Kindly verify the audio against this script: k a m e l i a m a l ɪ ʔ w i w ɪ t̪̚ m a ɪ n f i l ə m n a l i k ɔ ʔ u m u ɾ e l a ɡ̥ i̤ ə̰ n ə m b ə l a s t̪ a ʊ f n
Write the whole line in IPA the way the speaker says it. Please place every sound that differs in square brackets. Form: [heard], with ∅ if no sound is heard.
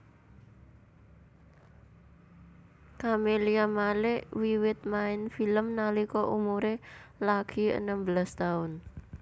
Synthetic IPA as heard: k a m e l i a m a l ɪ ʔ w i w ɪ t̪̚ m a ɪ n f i l ə m n a l i k ɔ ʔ u m u ɾ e l a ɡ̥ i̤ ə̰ n ə m b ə l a s t̪ a ʊ [∅] n